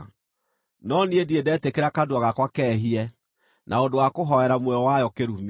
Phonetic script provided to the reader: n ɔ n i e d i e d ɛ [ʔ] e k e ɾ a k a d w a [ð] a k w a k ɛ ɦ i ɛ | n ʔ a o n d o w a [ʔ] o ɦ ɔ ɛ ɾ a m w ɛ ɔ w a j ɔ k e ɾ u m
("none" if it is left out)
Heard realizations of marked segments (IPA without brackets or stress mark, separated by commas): t, ɣ, k